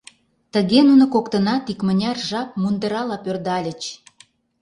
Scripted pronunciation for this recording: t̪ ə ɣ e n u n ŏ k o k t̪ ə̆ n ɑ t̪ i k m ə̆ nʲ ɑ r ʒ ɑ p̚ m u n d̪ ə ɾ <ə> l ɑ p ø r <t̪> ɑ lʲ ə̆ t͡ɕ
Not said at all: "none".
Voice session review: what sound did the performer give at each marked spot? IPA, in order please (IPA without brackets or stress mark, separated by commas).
ɑ, d̪